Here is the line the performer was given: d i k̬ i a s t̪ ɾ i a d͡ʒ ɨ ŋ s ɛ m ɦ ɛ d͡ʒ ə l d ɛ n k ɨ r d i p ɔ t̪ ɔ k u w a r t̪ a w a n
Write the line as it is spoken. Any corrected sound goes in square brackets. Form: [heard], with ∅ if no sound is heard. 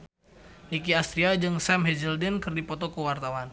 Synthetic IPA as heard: [n] i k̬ i a s t̪ ɾ i a d͡ʒ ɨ ŋ s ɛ m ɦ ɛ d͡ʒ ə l d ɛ n k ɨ r d i p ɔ t̪ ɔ k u w a r t̪ a w a n